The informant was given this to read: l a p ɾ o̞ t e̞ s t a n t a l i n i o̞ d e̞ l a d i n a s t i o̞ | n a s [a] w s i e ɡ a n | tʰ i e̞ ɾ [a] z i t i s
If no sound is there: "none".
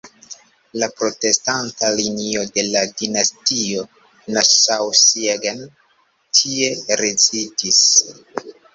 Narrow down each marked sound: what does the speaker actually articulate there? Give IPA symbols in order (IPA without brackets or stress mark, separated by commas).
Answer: a, e